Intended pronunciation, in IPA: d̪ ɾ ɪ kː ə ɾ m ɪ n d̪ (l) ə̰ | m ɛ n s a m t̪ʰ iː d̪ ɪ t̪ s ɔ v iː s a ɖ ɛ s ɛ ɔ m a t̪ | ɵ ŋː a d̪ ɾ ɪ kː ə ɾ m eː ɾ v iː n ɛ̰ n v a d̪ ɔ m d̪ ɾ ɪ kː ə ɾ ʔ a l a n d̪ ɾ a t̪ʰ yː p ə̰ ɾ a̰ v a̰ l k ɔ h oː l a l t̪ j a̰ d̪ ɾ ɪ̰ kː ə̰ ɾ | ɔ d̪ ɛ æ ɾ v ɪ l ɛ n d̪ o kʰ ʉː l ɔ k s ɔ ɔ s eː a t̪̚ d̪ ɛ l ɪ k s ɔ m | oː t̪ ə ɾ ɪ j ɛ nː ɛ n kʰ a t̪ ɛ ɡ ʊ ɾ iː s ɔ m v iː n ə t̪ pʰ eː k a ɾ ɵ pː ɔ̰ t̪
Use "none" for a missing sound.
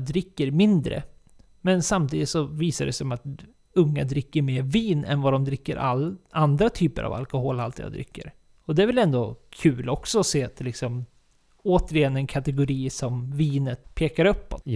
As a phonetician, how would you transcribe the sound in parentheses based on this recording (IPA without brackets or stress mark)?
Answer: ɾ